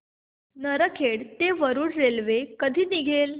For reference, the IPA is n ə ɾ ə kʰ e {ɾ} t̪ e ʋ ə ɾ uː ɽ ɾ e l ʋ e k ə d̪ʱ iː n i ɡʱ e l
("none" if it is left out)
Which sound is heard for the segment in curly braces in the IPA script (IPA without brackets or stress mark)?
ɽ